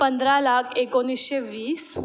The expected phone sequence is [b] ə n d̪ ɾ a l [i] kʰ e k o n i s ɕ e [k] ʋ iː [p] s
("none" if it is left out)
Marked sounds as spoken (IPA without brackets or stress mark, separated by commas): p, a, none, none